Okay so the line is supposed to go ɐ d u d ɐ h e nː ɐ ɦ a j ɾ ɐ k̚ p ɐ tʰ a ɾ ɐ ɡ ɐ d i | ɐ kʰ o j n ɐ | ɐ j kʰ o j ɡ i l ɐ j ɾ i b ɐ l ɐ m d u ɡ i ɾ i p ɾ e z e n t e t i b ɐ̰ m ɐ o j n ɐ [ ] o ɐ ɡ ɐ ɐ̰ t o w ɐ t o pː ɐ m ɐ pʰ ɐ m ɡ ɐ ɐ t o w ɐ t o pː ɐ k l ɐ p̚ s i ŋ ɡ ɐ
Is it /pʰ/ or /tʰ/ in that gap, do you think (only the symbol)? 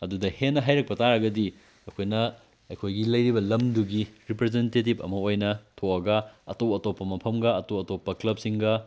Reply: tʰ